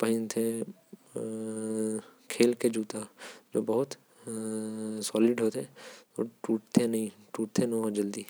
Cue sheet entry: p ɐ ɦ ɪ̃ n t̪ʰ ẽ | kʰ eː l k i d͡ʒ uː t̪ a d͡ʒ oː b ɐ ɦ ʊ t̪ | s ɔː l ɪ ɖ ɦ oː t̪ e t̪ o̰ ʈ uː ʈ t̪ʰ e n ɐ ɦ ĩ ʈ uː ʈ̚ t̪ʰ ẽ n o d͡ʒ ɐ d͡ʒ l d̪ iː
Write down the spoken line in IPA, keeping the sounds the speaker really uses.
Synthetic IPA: p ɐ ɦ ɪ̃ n t̪ʰ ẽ | kʰ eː l k e d͡ʒ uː t̪ a d͡ʒ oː b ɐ ɦ ʊ t̪ | s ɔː l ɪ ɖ ɦ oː t̪ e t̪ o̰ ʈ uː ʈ t̪ʰ e n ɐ ɦ ĩ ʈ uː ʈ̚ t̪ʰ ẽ n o d͡ʒ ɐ l d̪ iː